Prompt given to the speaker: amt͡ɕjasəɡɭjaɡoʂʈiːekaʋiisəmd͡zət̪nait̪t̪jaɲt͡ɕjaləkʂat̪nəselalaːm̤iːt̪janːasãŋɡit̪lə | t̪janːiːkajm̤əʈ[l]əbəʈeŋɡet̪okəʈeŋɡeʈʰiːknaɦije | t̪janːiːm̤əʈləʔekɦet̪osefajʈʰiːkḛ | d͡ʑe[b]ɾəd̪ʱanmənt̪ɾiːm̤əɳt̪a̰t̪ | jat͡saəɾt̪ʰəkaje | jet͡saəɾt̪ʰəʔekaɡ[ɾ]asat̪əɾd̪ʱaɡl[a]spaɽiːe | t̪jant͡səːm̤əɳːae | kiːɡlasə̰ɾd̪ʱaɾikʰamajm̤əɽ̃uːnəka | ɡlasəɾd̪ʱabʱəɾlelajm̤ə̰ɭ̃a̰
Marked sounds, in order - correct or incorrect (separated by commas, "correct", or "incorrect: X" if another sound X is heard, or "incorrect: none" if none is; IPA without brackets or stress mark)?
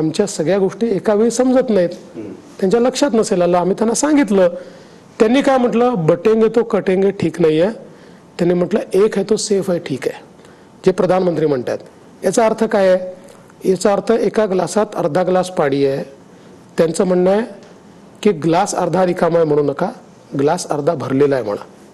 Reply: correct, incorrect: p, incorrect: l, correct